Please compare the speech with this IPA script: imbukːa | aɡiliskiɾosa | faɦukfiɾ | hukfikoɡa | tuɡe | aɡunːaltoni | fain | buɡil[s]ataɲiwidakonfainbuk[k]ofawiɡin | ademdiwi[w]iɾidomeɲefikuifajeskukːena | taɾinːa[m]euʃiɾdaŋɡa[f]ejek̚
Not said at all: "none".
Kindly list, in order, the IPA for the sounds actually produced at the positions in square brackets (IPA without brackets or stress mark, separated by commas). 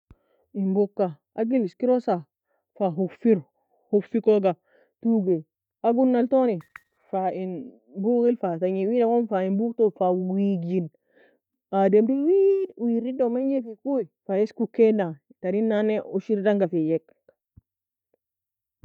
f, t, w, n, f